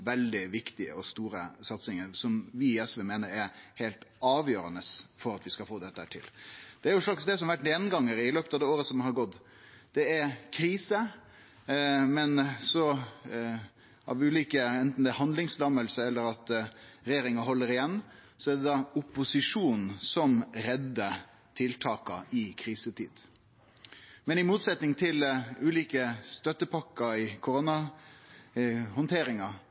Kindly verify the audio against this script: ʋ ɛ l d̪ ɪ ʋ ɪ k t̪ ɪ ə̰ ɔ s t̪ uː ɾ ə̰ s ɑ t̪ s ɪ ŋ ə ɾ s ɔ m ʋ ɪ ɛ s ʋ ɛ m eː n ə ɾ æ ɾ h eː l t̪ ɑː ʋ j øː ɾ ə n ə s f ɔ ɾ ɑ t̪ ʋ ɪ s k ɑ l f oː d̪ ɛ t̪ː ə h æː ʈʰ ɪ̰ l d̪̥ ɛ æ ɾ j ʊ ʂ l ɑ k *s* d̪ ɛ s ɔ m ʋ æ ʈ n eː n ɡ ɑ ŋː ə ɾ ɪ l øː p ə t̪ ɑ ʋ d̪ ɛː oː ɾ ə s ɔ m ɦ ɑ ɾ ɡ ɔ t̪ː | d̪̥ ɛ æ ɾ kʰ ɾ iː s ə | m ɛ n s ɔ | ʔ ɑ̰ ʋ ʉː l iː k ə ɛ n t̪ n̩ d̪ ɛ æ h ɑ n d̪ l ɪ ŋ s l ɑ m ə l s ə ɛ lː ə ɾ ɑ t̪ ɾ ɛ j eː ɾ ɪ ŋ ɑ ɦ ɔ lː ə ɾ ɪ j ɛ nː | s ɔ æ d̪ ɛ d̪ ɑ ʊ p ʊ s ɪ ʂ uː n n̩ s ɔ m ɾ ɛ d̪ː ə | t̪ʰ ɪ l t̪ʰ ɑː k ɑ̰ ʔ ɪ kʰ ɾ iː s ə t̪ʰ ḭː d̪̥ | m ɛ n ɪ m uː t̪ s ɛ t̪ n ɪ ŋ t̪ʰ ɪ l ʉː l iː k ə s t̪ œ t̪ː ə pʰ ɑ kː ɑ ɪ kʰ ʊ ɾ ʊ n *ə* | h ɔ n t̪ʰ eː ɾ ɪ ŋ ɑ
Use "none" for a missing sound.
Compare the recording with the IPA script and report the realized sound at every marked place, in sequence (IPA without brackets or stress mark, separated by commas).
s, ɑ